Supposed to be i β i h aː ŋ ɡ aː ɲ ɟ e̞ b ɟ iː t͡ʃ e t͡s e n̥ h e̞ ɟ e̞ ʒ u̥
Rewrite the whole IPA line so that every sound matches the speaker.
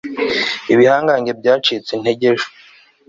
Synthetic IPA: i β i h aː ŋ ɡ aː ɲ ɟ e̞ b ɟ aː t͡ʃ i t͡s e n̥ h e̞ ɟ e̞ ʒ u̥